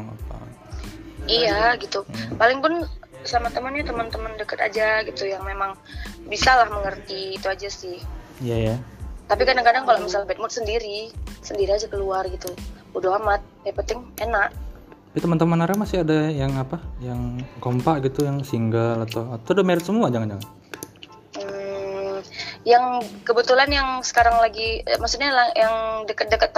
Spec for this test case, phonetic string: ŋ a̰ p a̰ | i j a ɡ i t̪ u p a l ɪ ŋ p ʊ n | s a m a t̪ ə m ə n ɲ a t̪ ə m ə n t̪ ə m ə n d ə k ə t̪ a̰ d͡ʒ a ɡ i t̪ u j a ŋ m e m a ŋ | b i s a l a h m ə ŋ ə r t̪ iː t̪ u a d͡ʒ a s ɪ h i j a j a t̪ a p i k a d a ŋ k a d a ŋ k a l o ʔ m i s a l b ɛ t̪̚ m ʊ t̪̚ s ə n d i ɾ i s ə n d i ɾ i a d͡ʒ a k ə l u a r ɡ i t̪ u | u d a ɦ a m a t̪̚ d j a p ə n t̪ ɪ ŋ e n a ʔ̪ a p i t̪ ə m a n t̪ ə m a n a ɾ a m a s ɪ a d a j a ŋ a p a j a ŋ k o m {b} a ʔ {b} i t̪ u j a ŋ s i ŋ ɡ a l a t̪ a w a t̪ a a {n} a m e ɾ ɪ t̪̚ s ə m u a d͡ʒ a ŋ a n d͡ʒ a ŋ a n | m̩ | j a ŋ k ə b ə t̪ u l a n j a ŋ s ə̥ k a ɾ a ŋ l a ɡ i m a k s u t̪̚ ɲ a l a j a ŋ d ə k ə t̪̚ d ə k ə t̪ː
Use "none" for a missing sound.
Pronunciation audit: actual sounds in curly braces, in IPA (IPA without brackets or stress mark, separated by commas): p, ɡ, d